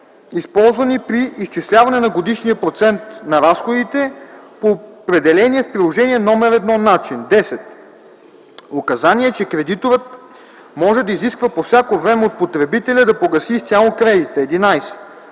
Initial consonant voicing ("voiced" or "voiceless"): voiceless